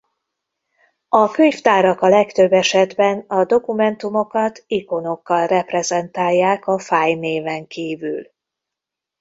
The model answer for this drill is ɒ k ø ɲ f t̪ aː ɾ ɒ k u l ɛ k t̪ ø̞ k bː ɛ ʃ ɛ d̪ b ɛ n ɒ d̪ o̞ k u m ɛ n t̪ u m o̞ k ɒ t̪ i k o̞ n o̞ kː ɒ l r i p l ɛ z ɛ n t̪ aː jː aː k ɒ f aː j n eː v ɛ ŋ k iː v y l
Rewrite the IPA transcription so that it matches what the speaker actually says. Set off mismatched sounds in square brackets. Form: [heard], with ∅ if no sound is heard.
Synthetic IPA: ɒ k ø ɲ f t̪ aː ɾ ɒ k [ɒ] l ɛ k t̪ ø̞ [∅] bː ɛ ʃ ɛ d̪ b ɛ n ɒ d̪ o̞ k u m ɛ n t̪ u m o̞ k ɒ t̪ i k o̞ n o̞ kː ɒ l r [ɛ] p [r] ɛ z ɛ n t̪ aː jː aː k ɒ f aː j n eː v ɛ ŋ k iː v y l